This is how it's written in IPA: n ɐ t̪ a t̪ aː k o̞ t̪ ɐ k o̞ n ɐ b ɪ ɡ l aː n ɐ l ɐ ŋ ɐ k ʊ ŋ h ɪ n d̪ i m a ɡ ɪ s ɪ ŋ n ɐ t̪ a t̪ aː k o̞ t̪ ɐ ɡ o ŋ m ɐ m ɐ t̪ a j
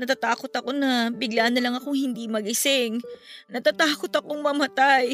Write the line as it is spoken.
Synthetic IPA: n ɐ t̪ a t̪ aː k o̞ t̪ ɐ k o̞ n ɐ b ɪ ɡ l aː n ɐ l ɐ ŋ ɐ k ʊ ŋ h ɪ n d̪ i m ɐ ɡ ɪ s ɪ ŋ n ɐ t̪ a t̪ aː k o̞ t̪ ɐ k o ŋ m ɐ m ɐ t̪ a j